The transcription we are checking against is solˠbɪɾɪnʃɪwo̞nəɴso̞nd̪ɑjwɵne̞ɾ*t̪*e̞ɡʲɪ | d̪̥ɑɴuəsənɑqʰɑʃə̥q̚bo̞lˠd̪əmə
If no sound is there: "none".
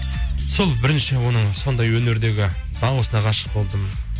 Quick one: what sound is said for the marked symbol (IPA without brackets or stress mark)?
d̪